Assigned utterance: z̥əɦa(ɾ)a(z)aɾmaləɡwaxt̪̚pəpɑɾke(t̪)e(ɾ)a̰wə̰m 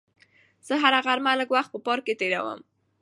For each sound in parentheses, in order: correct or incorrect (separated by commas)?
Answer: correct, incorrect, correct, correct